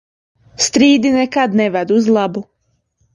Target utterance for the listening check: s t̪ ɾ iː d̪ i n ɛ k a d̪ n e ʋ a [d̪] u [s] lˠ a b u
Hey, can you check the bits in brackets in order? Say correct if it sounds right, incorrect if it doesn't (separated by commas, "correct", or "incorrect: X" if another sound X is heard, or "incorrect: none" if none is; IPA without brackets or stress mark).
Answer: correct, incorrect: z